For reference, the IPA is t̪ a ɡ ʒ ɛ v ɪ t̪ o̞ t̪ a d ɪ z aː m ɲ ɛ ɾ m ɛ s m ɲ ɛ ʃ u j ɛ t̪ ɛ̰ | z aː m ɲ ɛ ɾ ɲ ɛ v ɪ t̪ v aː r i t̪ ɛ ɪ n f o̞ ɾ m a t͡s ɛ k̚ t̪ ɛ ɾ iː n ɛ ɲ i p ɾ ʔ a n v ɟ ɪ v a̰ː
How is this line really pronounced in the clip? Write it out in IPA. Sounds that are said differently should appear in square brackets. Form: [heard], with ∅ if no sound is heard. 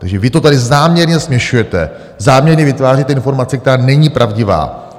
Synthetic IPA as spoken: t̪ a ɡ ʒ ɛ v ɪ t̪ o̞ t̪ a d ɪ z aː m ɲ ɛ ɾ [ɲ] ɛ s m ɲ ɛ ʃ u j ɛ t̪ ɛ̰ | z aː m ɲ ɛ ɾ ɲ ɛ v ɪ t̪ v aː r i t̪ ɛ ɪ n f o̞ ɾ m a t͡s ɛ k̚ t̪ ɛ ɾ [aː] n ɛ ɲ i p ɾ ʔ a [∅] v ɟ ɪ v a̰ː